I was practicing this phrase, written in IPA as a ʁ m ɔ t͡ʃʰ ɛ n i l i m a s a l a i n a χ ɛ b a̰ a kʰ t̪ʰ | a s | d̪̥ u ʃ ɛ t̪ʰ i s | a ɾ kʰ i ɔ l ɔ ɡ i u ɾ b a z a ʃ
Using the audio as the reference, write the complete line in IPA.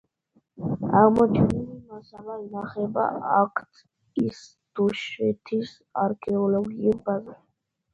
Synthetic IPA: a ʁ m ɔ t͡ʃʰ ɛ n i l i m a s a l a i n a χ ɛ b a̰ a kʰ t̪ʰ | i s | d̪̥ u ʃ ɛ t̪ʰ i s | a ɾ kʰ ɛ ɔ l ɔ ɡ i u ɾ b a z a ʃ